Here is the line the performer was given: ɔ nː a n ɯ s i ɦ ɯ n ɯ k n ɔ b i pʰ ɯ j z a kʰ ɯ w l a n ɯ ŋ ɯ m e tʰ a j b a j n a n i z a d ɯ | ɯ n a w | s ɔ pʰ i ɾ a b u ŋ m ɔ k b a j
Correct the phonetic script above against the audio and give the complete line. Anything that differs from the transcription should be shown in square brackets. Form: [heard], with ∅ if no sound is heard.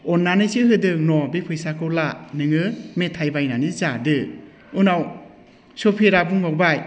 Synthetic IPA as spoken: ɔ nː a n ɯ s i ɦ ɯ [d] ɯ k n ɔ b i pʰ ɯ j [s] a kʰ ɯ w l a n ɯ ŋ ɯ m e tʰ a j b a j n a n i z a d ɯ | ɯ n a w | s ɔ pʰ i ɾ a b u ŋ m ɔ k b a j